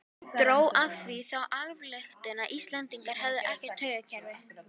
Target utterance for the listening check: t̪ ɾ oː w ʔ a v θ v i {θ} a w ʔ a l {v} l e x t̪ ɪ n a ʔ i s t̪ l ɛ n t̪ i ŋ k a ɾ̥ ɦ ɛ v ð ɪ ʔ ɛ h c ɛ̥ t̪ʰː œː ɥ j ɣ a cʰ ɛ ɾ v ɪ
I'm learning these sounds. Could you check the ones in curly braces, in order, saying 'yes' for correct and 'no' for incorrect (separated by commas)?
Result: yes, yes